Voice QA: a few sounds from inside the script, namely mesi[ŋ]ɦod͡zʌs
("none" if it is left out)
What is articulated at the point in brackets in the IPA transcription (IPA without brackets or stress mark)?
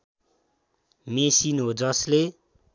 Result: n